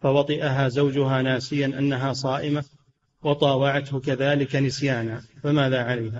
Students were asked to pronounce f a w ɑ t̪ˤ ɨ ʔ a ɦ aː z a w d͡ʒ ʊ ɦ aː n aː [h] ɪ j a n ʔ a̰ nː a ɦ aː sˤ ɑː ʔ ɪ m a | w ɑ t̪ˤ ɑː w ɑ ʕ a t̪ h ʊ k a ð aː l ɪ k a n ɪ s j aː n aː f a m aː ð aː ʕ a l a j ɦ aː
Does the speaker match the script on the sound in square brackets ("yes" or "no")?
no